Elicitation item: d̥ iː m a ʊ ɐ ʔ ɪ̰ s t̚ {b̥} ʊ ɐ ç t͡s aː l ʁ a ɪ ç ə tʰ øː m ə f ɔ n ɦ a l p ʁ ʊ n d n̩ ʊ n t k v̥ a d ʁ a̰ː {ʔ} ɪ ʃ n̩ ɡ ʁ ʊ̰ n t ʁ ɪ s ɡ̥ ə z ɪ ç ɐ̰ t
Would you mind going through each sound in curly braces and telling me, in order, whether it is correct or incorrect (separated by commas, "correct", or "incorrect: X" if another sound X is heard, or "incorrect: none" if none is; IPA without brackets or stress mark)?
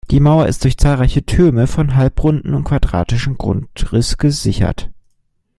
incorrect: d̥, incorrect: t